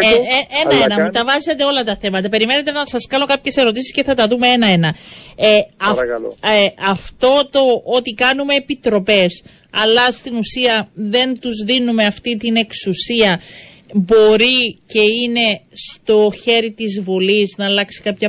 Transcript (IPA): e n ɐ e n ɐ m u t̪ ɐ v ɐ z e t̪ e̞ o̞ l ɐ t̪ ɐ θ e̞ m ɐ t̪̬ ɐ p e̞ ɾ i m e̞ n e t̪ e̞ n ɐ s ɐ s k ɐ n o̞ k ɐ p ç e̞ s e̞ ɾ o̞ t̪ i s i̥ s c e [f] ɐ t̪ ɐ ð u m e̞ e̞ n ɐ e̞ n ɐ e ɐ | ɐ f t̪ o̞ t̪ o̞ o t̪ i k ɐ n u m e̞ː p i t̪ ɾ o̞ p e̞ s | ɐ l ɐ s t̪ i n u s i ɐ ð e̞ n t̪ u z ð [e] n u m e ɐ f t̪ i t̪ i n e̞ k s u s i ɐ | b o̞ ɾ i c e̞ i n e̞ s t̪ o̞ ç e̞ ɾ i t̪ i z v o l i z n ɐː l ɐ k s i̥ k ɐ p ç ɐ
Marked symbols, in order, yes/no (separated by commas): no, no